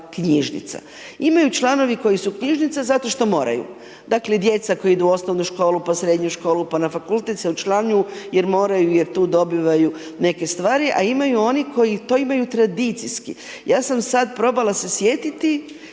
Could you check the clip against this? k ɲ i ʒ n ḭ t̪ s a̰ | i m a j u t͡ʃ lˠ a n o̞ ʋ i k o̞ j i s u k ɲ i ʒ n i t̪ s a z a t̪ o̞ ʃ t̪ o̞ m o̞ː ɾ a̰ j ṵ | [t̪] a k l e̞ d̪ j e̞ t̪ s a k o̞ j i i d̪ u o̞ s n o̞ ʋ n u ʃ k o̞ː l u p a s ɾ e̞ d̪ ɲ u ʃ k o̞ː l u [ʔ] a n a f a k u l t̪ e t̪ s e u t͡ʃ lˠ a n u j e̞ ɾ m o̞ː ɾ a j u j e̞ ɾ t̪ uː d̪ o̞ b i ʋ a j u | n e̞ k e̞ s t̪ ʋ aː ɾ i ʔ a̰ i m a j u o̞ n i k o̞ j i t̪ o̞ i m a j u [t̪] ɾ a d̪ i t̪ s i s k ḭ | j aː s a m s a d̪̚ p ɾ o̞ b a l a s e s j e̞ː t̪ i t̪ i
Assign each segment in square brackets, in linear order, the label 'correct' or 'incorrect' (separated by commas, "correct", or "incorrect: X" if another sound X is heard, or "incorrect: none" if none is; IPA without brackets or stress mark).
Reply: incorrect: d̪, incorrect: p, correct